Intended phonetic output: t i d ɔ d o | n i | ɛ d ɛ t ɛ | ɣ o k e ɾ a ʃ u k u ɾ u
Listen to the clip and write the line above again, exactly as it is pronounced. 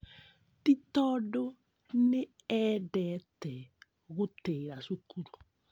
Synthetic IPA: t i t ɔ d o | n e | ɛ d ɛ t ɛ | ɣ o t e ɾ a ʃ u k u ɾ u